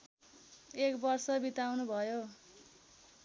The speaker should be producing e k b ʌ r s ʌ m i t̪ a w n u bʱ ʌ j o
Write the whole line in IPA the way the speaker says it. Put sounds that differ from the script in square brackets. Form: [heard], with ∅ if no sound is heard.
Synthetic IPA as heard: e k b ʌ r s ʌ [b] i t̪ a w n u bʱ ʌ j o